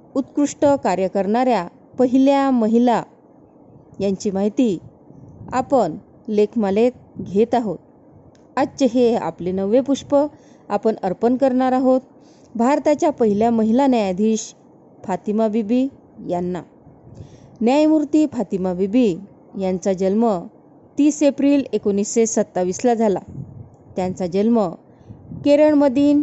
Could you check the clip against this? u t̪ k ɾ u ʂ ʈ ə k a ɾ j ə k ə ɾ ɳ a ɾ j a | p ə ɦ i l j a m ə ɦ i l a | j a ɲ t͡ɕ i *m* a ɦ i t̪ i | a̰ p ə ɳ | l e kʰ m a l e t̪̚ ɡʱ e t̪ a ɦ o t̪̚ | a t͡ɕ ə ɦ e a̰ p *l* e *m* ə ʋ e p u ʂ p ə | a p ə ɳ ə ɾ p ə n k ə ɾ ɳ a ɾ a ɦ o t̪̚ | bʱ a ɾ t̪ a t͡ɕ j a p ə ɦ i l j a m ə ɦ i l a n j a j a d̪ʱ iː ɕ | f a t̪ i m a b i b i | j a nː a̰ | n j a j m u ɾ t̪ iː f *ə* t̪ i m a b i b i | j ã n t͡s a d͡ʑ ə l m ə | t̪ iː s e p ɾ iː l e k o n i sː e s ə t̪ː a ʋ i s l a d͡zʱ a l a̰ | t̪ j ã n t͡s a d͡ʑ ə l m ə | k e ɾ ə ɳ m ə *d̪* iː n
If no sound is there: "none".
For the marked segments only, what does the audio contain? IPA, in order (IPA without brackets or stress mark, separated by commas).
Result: m, l, n, a, d̪